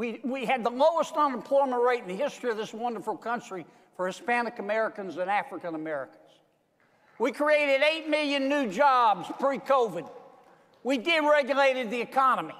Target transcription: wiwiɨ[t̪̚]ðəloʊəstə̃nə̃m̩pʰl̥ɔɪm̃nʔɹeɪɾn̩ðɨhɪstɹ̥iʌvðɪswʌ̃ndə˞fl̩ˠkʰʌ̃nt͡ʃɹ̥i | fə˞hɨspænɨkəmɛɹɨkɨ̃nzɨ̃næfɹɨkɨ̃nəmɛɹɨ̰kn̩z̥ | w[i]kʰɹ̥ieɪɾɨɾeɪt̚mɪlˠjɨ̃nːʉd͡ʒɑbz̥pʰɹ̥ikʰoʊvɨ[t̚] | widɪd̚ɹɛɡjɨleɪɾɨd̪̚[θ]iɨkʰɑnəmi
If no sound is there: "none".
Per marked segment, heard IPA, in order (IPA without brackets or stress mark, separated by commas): d̪̚, i, d̚, ð